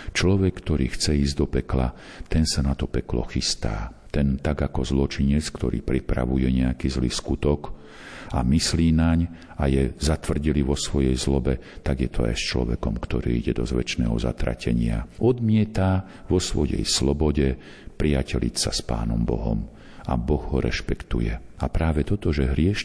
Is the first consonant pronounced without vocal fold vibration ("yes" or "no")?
yes